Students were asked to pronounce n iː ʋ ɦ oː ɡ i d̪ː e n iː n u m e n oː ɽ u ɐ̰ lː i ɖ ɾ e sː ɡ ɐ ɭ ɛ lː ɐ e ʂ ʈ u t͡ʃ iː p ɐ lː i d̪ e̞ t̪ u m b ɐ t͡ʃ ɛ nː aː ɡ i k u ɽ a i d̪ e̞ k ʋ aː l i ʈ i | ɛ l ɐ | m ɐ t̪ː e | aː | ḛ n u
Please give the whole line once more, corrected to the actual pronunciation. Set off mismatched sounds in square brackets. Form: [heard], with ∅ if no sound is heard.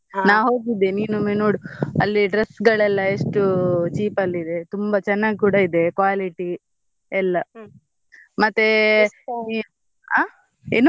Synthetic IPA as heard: n [aː] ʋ ɦ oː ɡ i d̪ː e n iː n u m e n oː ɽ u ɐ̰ lː i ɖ ɾ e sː ɡ ɐ ɭ ɛ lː ɐ e ʂ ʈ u t͡ʃ iː p ɐ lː i d̪ e̞ t̪ u m b ɐ t͡ʃ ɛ nː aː ɡ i k [uː] ɽ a i d̪ e̞ k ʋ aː l i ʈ i | ɛ [lː] ɐ | m ɐ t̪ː e | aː | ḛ n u